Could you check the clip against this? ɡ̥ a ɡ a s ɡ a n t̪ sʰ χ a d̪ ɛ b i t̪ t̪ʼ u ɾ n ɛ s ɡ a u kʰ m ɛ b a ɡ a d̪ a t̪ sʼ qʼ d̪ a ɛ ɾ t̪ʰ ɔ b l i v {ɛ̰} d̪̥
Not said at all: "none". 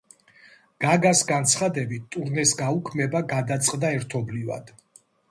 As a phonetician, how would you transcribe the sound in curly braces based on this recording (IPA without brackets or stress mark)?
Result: a̰